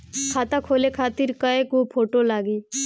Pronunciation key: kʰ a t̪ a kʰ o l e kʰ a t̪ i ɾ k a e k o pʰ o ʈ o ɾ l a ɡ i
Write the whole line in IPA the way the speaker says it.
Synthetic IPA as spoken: kʰ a t̪ a kʰ o l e kʰ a t̪ i ɾ k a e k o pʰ o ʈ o l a ɡ i